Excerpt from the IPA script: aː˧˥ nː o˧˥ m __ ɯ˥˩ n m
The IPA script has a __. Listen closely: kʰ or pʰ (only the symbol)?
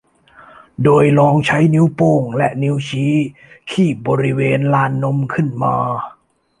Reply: kʰ